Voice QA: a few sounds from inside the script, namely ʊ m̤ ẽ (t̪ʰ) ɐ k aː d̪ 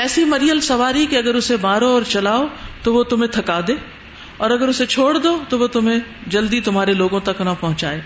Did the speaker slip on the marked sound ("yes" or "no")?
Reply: no